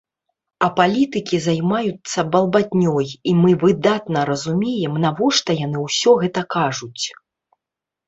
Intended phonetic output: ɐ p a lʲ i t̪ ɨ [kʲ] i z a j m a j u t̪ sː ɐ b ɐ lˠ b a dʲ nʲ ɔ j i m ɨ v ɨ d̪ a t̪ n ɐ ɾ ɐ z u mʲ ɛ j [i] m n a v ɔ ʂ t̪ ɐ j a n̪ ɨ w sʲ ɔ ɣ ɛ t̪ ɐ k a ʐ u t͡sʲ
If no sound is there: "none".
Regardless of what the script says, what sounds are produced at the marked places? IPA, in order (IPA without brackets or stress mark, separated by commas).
kʲ, ɛ